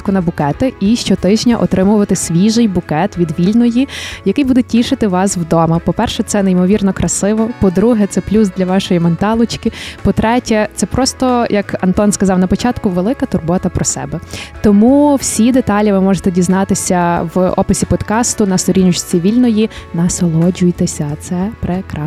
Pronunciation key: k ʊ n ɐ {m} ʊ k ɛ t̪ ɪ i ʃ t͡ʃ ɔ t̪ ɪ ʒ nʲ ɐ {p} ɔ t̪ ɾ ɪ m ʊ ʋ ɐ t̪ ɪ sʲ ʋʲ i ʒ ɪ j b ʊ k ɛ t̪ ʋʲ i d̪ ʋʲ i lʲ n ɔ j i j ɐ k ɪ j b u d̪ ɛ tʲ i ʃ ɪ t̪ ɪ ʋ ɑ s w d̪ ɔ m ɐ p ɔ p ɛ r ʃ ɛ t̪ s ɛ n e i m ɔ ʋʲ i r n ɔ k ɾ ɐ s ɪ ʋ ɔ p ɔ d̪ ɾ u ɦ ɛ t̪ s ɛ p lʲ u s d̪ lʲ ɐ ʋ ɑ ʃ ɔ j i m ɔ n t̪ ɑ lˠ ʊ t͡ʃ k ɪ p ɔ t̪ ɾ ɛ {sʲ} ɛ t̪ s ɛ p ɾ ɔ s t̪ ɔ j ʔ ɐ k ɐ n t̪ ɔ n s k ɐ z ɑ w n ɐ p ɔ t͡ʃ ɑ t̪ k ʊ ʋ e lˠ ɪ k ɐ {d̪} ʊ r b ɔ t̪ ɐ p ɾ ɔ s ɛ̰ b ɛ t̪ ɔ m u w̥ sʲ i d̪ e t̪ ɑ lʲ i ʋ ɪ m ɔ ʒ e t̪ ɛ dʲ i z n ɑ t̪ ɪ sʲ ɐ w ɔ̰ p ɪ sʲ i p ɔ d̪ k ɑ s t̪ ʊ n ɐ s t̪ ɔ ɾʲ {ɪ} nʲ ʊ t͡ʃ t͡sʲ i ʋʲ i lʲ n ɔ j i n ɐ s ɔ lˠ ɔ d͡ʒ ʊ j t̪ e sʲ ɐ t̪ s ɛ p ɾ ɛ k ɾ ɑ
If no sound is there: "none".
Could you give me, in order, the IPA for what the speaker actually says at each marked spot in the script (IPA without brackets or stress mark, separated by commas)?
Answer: b, ʔ, tʲ, t̪, i